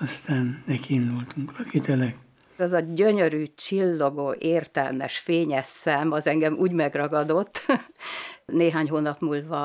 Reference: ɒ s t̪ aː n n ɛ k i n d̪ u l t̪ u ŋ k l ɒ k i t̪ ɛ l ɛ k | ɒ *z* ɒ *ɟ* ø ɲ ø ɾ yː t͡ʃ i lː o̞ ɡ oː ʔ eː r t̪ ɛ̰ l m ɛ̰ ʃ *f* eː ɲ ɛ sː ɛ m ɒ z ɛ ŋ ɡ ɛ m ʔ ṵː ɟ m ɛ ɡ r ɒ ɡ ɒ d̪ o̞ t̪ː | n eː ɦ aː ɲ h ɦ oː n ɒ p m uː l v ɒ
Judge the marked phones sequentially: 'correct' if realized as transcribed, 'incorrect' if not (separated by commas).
correct, correct, correct